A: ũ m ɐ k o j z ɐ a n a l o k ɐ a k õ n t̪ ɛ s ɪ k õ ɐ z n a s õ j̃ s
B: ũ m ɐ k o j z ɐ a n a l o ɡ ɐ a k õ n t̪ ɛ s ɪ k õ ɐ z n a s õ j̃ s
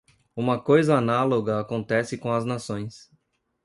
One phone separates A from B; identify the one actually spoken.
B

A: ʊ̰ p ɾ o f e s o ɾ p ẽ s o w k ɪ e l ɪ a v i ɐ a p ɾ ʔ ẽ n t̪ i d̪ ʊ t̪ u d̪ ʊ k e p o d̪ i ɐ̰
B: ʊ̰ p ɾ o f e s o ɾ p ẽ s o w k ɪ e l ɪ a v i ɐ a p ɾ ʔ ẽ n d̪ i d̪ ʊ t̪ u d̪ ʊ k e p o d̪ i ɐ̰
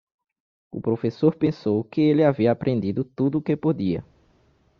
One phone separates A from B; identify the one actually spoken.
B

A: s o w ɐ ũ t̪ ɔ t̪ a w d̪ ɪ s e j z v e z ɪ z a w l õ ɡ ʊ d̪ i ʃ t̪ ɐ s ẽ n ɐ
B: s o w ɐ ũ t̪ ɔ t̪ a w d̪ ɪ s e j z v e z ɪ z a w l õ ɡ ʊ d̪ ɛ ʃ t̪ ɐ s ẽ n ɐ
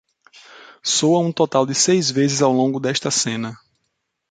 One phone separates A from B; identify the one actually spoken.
B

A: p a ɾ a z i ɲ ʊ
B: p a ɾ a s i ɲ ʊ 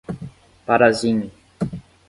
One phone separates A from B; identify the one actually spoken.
A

